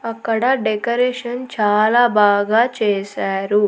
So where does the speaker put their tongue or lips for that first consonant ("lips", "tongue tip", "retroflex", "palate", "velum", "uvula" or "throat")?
velum